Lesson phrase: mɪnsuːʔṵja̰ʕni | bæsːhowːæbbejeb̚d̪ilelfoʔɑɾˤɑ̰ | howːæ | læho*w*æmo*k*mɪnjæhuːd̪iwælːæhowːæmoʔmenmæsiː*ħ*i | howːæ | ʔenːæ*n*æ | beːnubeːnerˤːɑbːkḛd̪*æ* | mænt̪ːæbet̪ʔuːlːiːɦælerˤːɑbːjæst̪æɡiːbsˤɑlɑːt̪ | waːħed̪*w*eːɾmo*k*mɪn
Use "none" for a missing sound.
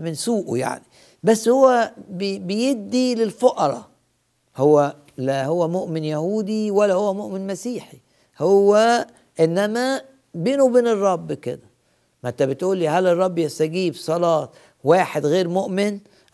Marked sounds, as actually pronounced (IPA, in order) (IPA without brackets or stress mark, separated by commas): wː, ʔ, ħ, m, æ, ɣ, ʔ